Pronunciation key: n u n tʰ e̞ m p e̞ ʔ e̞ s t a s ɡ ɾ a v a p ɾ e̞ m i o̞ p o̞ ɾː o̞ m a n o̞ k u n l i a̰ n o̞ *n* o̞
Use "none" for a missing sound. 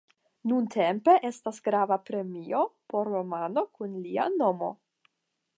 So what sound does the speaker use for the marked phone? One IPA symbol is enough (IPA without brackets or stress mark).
m